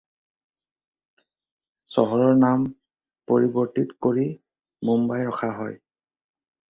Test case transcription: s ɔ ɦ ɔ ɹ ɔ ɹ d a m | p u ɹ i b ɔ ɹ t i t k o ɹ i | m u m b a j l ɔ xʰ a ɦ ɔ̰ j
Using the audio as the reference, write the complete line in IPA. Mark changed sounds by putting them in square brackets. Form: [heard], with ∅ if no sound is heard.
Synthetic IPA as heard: s ɔ ɦ ɔ ɹ ɔ ɹ [n] a m | p [o] ɹ i b ɔ ɹ t i t k o ɹ i | m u m b a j [ɹ] ɔ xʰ a ɦ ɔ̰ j